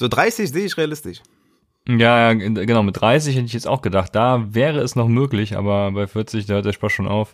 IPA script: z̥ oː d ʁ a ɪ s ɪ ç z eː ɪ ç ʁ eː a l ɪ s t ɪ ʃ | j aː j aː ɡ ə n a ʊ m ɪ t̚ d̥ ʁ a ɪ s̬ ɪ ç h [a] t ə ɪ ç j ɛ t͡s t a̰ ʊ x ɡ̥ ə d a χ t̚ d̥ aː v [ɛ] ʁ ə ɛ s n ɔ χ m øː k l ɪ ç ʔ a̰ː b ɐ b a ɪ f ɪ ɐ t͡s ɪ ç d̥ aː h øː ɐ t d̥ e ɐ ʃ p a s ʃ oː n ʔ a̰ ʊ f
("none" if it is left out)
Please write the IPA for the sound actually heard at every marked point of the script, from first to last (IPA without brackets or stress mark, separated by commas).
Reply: ɛ, ɛː